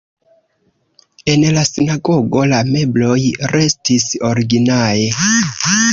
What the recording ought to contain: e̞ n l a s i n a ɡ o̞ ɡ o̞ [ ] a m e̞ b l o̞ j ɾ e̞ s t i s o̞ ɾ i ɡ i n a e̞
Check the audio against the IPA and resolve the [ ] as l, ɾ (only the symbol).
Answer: l